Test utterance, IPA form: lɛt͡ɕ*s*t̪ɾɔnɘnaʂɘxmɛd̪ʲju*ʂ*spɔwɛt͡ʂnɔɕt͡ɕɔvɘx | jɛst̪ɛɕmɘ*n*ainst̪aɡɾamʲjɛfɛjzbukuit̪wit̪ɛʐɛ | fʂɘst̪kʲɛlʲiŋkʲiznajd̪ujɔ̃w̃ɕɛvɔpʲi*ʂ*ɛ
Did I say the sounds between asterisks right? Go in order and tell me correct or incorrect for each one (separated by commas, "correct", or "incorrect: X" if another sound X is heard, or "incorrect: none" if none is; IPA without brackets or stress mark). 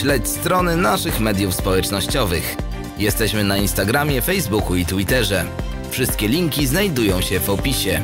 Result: correct, incorrect: f, correct, incorrect: ɕ